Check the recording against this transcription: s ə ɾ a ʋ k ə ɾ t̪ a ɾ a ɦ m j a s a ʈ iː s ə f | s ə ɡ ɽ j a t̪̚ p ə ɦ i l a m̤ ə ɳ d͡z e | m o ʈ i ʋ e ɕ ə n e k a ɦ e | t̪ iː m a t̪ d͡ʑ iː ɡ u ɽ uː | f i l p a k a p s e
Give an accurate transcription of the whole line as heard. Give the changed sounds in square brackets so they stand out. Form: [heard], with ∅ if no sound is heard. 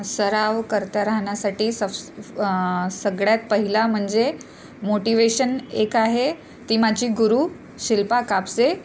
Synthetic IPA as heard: s ə ɾ a ʋ k ə ɾ t̪ a ɾ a ɦ [ɳ] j a s a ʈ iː s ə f | s ə ɡ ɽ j a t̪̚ p ə ɦ i l a m̤ ə ɳ d͡z e | m o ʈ i ʋ e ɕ ə n e k a ɦ e | t̪ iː m a [∅] d͡ʑ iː ɡ u [ɾ] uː | [ɕ] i l p a k a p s e